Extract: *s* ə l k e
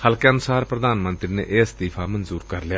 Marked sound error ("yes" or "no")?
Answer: yes